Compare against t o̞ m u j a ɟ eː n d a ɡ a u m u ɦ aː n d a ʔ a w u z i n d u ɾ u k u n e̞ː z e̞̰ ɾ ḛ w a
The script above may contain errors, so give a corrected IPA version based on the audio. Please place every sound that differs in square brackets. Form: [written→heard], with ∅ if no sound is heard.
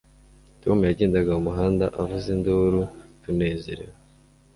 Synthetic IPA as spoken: t o̞ m u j a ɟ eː n d a ɡ a u m u ɦ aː n d a ʔ a [w→v] u z i n d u ɾ u [k→t] u n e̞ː z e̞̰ ɾ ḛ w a